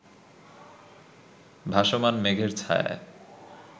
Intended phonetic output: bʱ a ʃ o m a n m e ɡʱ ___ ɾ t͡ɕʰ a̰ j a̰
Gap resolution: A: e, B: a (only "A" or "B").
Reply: A